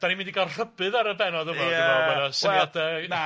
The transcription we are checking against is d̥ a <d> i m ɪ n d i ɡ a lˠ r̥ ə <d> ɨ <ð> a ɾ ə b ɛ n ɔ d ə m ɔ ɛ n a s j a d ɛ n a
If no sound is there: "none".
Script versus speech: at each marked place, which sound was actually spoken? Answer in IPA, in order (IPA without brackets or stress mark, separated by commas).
n, b, ð